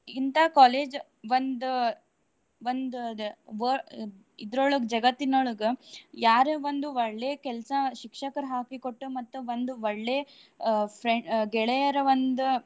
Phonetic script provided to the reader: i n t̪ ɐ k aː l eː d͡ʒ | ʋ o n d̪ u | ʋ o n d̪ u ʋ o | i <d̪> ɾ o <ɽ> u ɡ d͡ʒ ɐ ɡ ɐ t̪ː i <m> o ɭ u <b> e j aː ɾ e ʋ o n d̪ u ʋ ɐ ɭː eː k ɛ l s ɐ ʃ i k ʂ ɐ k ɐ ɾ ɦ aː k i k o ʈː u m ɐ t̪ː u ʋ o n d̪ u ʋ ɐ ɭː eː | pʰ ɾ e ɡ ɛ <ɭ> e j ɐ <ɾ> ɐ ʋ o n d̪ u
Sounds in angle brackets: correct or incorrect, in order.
correct, incorrect, incorrect, incorrect, correct, correct

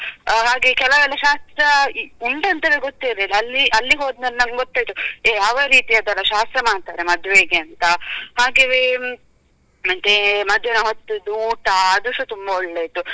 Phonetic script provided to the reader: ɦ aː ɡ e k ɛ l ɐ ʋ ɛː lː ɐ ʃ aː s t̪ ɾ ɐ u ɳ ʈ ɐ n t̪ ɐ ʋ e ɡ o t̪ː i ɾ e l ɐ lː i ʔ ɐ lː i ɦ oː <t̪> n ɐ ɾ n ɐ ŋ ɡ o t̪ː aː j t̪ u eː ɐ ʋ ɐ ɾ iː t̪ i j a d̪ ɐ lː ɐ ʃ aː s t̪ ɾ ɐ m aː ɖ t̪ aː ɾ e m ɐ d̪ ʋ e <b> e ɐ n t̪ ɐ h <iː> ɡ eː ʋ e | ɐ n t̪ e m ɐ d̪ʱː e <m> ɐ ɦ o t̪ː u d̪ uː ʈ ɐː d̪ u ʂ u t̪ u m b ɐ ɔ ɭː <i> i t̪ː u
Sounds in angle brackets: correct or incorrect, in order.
incorrect, incorrect, incorrect, incorrect, incorrect

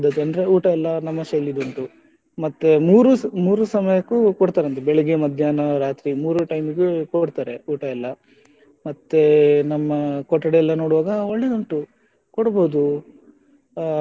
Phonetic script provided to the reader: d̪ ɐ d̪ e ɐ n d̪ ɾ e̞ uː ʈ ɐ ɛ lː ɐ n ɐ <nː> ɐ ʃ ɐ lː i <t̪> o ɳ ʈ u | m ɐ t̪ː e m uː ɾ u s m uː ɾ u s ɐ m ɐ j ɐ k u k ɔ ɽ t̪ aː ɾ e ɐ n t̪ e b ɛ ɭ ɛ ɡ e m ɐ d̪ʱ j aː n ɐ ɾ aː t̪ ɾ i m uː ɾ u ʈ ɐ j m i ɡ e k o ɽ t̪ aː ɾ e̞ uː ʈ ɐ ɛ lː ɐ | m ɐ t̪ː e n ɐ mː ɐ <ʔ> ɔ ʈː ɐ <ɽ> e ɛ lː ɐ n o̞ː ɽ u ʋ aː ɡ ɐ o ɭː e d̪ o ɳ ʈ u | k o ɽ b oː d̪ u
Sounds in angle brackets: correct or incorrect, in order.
incorrect, incorrect, incorrect, correct

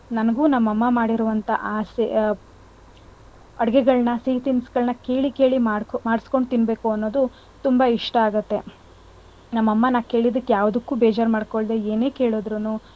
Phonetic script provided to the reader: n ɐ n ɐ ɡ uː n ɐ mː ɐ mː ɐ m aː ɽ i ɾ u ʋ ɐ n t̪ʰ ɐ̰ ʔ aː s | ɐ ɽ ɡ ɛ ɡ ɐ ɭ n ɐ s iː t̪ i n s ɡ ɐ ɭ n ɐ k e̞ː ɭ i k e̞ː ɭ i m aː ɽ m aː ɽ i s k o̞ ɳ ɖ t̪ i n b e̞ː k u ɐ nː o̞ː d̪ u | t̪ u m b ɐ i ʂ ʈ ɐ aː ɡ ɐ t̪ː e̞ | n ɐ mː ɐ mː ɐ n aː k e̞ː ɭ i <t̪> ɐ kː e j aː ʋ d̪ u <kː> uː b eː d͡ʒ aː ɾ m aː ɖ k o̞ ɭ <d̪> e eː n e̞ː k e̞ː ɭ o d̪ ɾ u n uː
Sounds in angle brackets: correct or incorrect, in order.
incorrect, correct, correct

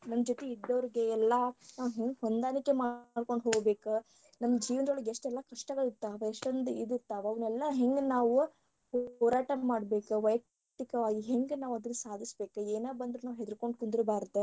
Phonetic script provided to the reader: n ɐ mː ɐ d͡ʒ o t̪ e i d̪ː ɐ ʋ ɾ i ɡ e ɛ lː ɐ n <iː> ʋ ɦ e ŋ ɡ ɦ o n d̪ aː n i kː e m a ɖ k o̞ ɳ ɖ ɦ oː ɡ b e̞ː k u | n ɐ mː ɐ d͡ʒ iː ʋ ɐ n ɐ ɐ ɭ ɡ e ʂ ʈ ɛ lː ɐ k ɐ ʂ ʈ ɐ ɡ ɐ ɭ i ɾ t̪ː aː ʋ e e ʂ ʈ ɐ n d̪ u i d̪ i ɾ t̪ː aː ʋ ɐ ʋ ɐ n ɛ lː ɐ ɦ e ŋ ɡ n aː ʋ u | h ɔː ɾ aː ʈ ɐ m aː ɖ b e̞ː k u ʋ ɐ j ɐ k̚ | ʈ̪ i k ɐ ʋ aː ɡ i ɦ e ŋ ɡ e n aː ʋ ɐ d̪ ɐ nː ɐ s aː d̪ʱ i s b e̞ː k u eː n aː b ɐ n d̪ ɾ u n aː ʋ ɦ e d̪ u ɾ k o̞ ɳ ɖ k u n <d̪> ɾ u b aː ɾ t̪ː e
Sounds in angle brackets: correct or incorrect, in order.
incorrect, correct

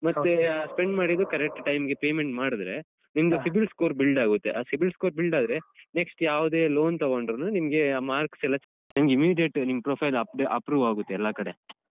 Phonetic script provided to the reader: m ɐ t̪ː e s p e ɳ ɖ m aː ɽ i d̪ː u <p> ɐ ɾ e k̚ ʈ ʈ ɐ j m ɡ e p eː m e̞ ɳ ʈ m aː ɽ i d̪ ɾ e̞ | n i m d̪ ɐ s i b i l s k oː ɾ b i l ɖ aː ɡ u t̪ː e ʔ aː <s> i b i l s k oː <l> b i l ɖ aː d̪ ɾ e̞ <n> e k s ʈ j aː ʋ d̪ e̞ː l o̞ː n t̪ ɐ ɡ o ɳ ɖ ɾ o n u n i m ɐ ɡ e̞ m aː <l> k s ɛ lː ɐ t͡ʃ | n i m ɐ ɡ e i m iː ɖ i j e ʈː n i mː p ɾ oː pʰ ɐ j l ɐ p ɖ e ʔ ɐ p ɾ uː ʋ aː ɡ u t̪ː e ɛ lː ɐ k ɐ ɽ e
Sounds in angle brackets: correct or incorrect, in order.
incorrect, correct, incorrect, correct, incorrect

